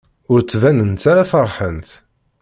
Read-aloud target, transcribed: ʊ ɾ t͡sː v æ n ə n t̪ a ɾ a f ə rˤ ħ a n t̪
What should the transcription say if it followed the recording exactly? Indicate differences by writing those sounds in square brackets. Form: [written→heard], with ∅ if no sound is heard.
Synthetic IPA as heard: ʊ ɾ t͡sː v æ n ə n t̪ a ɾ a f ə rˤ ħ [a→ə] n t̪